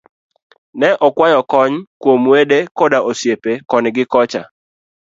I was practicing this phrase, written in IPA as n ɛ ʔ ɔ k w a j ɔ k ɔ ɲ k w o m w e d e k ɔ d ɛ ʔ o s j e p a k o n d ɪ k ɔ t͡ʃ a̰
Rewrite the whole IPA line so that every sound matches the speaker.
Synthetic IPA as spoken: n ɛ ʔ ɔ k w a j ɔ k ɔ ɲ k w o m w e d e k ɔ d a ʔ o s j e p e k ɔ n ɡ ɪ k ɔ t͡ʃ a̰